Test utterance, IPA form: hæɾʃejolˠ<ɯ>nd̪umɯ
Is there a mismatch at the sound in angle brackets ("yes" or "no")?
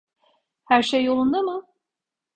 yes